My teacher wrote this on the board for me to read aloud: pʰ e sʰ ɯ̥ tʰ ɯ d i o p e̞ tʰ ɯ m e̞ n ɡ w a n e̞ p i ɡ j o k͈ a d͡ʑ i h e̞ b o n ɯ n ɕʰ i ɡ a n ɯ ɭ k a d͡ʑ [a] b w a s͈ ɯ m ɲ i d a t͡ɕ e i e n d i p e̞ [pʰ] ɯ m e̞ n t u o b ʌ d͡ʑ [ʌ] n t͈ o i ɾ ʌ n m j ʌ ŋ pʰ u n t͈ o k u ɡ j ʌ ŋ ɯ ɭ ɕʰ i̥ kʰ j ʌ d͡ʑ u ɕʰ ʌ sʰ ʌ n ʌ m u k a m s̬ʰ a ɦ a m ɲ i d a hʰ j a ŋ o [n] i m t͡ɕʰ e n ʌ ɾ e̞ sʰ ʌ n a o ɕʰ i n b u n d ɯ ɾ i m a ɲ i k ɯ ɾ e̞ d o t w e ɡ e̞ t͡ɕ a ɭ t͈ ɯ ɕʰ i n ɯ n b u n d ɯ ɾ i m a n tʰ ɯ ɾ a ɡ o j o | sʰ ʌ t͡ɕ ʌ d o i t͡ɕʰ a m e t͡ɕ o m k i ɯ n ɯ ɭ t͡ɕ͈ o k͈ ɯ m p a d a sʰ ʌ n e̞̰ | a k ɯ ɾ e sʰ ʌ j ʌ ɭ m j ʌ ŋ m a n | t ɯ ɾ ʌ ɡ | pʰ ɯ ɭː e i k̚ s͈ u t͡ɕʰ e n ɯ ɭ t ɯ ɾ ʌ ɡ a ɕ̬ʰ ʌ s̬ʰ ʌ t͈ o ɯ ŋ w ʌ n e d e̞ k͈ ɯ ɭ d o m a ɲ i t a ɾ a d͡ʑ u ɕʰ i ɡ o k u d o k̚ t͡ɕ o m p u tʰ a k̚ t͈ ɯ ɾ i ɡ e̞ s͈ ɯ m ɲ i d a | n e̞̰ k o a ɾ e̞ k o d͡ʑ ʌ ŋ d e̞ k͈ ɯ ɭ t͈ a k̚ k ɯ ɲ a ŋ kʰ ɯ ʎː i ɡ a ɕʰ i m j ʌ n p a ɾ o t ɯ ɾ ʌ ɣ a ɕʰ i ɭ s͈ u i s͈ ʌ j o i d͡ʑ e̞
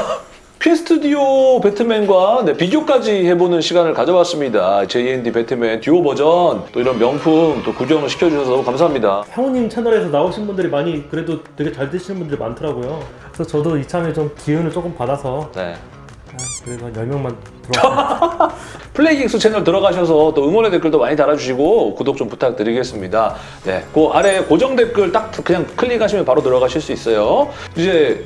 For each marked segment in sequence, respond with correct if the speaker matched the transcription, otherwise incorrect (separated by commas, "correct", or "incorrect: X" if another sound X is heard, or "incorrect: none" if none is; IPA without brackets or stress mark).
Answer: incorrect: ʌ, incorrect: tʰ, correct, incorrect: ɲ